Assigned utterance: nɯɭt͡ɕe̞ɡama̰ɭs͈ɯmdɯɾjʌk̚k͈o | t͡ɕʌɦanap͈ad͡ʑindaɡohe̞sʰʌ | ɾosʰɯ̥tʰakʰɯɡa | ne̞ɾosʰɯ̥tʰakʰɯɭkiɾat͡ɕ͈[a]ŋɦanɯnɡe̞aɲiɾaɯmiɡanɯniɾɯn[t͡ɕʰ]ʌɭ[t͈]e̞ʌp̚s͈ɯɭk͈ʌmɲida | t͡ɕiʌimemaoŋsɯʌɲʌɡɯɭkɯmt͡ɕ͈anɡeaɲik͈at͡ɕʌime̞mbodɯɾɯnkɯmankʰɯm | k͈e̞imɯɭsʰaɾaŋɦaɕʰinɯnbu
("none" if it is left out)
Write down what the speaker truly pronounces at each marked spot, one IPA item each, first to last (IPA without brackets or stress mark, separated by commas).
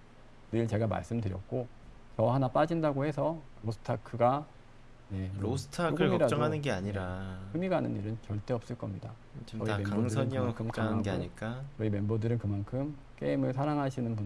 ʌ, t͡ɕ, t͈